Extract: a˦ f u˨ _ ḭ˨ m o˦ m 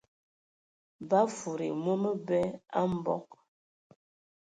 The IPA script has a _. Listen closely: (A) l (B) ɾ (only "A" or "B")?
B